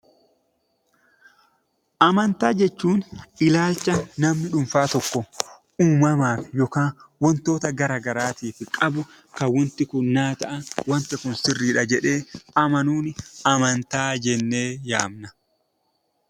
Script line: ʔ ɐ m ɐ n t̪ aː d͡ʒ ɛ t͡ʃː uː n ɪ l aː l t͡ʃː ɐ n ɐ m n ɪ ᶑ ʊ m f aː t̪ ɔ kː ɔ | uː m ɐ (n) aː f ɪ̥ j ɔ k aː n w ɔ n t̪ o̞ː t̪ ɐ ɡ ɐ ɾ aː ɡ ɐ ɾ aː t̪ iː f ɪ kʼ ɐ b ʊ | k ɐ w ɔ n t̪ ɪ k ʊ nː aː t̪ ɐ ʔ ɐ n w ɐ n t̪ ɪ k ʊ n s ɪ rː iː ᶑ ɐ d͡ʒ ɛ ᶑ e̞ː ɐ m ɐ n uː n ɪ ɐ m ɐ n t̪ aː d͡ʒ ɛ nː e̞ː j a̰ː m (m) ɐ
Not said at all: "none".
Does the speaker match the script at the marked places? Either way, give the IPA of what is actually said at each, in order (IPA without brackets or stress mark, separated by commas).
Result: m, n